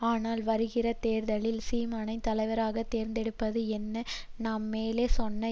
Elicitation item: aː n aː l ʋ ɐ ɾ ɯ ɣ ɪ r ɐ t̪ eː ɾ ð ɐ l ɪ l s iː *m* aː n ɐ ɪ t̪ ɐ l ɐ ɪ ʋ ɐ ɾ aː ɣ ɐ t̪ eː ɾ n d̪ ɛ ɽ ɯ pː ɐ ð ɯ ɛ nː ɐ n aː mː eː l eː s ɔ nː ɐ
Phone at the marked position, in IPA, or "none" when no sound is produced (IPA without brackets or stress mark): m